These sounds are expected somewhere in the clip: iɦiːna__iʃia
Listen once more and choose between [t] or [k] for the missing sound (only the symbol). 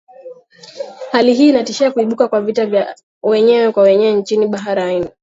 t